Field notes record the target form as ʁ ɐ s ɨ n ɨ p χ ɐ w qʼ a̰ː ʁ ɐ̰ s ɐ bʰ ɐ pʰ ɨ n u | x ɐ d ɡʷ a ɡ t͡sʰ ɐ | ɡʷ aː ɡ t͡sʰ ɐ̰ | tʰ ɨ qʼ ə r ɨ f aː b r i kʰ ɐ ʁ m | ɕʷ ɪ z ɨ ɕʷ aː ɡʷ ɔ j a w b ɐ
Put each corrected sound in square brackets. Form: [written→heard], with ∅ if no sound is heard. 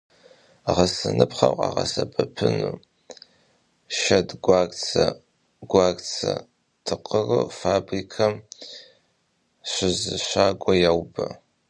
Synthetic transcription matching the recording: ʁ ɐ s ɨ n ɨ p χ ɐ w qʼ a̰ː ʁ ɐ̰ s ɐ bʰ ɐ pʰ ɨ n u | [x→ʃ] ɐ d ɡʷ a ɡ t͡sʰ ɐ | ɡʷ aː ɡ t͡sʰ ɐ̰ | tʰ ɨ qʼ ə r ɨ f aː b r i kʰ ɐ [ʁ→∅] m | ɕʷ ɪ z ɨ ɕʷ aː ɡʷ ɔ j a w b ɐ